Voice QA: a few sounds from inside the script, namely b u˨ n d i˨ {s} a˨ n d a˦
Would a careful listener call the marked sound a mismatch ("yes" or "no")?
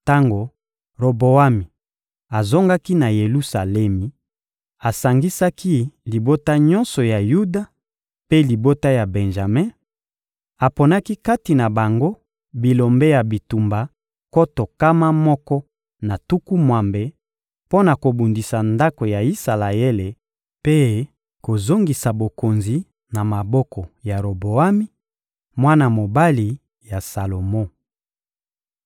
no